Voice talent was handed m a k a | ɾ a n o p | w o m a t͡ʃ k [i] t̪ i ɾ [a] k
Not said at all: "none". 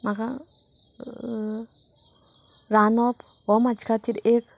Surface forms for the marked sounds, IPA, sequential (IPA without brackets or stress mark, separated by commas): a, e